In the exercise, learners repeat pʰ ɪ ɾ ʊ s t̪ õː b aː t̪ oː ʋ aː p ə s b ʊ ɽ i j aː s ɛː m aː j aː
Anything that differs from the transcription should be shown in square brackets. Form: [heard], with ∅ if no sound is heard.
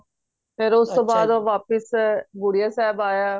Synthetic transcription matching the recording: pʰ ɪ ɾ ʊ s t̪ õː b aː [d̪] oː ʋ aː p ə s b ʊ ɽ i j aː s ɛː [b] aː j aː